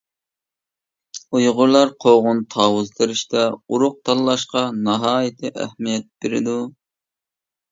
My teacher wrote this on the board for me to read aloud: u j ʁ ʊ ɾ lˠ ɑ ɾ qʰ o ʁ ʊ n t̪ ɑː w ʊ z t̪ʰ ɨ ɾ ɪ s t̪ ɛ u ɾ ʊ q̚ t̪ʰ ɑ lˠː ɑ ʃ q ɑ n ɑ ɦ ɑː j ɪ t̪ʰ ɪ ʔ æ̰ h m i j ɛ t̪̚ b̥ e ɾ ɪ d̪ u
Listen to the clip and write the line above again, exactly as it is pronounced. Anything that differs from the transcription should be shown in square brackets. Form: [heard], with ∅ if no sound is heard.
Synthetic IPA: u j ʁ ʊ ɾ lˠ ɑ ɾ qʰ o ʁ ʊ n [t̪ʰ] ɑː w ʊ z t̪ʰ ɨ ɾ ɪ [ʃ] t̪ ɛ u ɾ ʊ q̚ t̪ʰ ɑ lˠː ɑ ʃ q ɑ n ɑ ɦ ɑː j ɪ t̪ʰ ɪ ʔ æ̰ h m i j ɛ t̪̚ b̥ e ɾ ɪ d̪ u